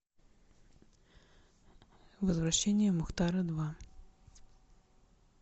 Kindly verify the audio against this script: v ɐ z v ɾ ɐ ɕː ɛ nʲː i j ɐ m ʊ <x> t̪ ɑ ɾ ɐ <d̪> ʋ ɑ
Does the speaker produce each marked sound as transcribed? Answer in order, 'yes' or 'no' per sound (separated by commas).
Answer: yes, yes